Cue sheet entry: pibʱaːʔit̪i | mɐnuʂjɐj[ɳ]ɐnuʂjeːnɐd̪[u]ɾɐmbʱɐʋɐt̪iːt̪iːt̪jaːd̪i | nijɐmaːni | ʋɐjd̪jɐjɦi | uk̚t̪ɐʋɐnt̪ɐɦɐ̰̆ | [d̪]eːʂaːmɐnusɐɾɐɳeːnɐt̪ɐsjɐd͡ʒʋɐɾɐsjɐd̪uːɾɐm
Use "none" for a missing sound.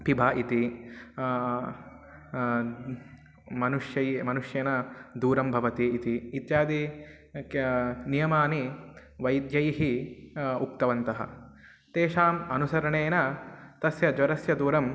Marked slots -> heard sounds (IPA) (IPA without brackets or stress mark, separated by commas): m, uː, t̪